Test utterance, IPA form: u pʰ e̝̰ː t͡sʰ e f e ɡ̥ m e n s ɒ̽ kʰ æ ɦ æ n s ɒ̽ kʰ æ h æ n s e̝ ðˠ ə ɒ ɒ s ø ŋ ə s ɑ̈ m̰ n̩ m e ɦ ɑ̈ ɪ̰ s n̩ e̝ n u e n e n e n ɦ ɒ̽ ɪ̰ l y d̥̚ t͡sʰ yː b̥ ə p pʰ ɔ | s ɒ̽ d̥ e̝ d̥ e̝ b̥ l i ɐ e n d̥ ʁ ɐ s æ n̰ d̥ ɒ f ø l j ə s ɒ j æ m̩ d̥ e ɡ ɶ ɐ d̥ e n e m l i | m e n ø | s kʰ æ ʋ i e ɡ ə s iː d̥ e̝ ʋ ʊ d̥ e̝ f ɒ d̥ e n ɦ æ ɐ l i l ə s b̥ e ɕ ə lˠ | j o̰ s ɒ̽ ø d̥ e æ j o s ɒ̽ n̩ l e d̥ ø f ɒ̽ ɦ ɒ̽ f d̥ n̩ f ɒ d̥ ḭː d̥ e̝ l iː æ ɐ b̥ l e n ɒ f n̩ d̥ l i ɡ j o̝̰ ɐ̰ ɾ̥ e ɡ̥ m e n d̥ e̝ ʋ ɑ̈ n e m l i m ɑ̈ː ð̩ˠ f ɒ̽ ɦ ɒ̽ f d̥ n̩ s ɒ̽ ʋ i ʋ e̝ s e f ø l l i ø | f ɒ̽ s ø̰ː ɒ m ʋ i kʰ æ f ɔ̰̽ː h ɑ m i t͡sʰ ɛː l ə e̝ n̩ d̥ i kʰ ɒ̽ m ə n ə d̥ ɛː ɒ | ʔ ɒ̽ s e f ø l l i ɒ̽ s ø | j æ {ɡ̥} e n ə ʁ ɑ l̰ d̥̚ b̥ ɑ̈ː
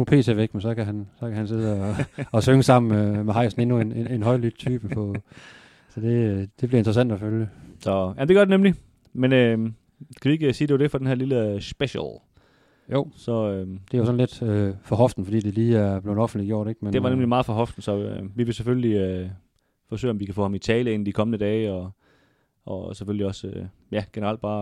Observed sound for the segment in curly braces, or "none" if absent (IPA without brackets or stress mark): ɡ̥